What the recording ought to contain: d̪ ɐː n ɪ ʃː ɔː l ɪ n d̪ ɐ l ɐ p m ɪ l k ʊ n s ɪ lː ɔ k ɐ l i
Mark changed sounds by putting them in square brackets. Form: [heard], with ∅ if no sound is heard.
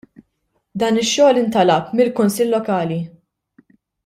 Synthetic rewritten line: d̪ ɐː n ɪ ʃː ɔː l ɪ n [t̪] ɐ l ɐ p m ɪ l k ʊ n s ɪ lː ɔ k [ɐː] l i